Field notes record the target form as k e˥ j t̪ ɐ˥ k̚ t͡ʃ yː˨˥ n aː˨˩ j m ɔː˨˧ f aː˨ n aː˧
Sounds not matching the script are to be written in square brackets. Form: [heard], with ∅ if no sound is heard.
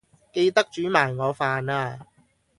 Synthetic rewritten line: k [e˧] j t̪ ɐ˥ k̚ t͡ʃ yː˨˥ [m] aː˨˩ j [ŋ] ɔː˨˧ f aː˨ n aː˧